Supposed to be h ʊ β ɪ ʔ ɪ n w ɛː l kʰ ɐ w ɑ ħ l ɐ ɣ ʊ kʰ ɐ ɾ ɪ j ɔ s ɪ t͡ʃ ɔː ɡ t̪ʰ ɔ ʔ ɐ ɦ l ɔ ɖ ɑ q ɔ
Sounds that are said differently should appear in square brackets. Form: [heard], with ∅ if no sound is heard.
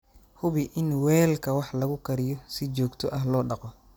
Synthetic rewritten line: h ʊ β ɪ ʔ ɪ n w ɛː l kʰ ɐ w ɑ ħ l ɐ ɣ ʊ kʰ ɐ ɾ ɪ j ɔ s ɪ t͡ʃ ɔː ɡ t̪ʰ ɔ ʔ ɐ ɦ l [ɔː] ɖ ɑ q ɔ